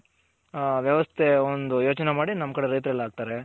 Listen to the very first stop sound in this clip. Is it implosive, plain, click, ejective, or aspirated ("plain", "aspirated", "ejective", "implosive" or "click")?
aspirated